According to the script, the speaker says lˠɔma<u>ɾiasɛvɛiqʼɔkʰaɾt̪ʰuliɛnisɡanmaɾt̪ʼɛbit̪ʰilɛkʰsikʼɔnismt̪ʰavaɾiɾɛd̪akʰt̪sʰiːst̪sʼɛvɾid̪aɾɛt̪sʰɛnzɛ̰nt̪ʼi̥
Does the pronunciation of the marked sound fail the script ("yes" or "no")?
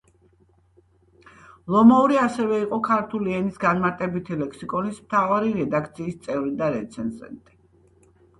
no